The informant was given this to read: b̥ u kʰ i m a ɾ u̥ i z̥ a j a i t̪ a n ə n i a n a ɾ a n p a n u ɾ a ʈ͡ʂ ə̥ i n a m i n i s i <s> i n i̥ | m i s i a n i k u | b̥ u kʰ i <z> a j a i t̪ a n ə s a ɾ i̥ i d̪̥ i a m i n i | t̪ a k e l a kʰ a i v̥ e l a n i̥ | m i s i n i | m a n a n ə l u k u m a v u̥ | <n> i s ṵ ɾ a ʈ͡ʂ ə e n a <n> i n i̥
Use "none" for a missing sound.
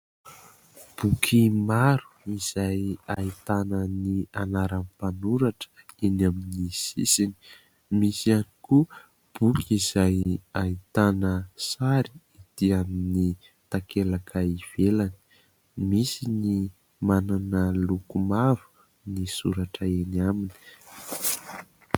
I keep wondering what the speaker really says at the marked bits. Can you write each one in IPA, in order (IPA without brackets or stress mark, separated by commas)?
s, z, n, m